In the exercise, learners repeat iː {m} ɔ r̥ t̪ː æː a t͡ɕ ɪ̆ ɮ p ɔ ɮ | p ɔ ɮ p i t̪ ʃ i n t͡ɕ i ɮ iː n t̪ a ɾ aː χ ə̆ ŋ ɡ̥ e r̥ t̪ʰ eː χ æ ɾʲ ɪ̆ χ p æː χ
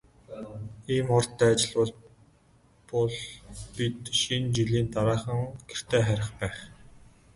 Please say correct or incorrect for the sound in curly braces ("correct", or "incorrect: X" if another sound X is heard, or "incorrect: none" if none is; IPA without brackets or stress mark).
correct